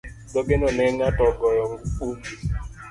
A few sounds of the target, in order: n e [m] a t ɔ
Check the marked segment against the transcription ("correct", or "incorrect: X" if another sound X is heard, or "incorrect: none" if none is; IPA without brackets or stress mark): incorrect: ŋ